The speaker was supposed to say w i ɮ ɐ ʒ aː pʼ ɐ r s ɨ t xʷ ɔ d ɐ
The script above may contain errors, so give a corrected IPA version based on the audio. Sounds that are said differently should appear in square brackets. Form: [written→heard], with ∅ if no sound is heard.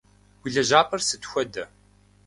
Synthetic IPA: w i ɮ ɐ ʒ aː pʼ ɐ r s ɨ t xʷ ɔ d ɐ